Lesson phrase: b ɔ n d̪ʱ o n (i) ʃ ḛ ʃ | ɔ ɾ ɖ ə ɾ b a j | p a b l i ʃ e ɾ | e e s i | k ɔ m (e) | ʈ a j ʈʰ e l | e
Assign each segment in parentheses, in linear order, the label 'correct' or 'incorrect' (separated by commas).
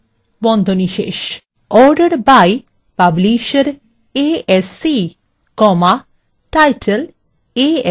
correct, incorrect